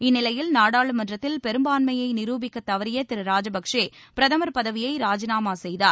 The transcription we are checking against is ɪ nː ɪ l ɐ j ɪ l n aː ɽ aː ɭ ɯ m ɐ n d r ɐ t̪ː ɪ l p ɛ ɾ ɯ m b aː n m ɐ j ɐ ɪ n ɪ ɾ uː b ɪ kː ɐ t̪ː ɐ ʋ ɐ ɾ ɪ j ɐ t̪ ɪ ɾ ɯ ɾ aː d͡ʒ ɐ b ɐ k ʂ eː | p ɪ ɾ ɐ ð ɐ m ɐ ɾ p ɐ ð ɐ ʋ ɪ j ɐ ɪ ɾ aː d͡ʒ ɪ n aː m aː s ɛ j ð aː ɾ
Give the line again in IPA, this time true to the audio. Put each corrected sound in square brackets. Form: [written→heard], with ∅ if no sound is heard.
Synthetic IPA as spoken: ɪ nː ɪ l ɐ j ɪ l n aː ɽ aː ɭ ɯ m ɐ n d r ɐ t̪ː ɪ l p ɛ ɾ ɯ m b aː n m ɐ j ɐ ɪ n ɪ ɾ uː b ɪ kː ɐ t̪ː ɐ ʋ ɐ ɾ ɪ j ɐ t̪ ɪ ɾ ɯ ɾ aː d͡ʒ ɐ b ɐ k ʂ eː | p ɪ ɾ ɐ ð ɐ m ɐ ɾ p ɐ ð ɐ ʋ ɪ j ɐ ɪ ɾ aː d͡ʒ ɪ n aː m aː s ɛ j ð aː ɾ